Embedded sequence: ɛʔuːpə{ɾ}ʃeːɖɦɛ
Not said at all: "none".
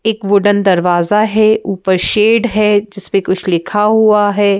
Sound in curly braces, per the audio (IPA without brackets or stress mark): ɾ